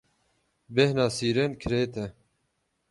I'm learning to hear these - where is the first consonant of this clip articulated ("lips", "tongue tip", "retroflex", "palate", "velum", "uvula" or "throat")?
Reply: lips